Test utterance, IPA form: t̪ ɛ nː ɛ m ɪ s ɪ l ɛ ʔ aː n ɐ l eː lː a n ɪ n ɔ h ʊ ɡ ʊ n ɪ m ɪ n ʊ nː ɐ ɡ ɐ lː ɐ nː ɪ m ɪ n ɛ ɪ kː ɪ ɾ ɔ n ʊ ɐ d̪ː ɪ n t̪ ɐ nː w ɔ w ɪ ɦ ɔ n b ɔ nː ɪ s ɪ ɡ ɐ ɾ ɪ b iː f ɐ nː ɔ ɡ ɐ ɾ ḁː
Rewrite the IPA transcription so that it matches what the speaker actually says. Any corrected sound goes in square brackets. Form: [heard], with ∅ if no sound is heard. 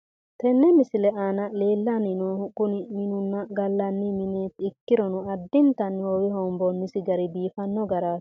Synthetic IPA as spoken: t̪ ɛ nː ɛ m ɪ s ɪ l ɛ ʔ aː n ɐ l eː lː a n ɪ n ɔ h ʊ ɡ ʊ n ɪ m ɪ n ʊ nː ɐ ɡ ɐ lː ɐ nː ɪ m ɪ n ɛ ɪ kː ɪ ɾ ɔ n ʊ ɐ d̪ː ɪ n t̪ ɐ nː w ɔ w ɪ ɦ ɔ [m] b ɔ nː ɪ s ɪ ɡ ɐ ɾ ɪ b iː f ɐ nː ɔ ɡ ɐ ɾ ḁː